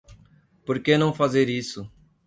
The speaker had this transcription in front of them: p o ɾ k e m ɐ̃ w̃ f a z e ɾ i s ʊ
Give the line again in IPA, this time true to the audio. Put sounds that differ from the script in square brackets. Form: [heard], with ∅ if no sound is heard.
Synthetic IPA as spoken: p o ɾ k e [n] ɐ̃ w̃ f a z e ɾ i s ʊ